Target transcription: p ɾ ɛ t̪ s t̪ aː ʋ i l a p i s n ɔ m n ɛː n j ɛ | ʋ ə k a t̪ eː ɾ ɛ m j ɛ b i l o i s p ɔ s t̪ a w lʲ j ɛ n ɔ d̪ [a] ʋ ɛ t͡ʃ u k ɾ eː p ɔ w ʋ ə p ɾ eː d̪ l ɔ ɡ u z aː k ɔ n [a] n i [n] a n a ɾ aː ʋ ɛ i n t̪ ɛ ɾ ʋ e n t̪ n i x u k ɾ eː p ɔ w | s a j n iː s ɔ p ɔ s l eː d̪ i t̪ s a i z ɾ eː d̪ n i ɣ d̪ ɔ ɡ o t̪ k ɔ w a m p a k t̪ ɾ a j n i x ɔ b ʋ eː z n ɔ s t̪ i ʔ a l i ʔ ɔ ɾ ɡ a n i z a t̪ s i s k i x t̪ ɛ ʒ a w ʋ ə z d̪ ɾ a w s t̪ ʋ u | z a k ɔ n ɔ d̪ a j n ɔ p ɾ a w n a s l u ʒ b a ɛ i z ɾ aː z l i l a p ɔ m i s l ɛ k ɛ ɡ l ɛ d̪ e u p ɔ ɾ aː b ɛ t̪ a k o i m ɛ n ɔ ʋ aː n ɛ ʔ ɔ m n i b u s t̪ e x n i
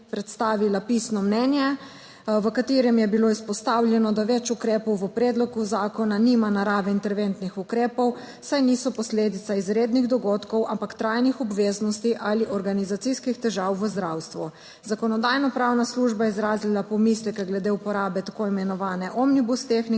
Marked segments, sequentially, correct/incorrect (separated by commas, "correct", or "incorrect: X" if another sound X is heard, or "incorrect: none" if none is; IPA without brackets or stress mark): correct, correct, incorrect: m